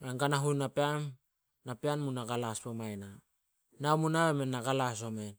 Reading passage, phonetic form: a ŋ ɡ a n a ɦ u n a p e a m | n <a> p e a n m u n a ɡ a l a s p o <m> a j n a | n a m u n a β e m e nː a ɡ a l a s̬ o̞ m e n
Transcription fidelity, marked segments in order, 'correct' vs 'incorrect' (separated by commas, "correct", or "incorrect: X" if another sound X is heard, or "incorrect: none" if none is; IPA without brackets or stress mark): correct, correct